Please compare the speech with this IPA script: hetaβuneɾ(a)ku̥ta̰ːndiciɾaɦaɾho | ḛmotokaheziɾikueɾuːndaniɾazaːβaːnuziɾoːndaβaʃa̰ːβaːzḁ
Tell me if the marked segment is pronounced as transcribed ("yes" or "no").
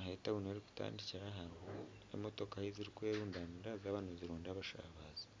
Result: no